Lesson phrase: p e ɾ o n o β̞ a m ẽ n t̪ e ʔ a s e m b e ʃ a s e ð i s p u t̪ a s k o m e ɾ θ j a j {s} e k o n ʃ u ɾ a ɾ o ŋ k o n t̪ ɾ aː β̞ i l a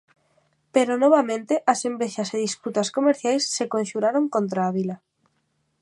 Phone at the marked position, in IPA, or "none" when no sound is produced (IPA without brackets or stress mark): sː